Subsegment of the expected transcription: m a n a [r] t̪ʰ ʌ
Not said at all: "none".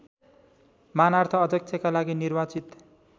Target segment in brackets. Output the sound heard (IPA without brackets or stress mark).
r